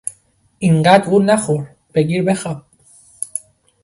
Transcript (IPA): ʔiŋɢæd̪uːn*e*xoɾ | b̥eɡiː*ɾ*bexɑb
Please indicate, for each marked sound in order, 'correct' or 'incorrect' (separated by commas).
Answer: incorrect, correct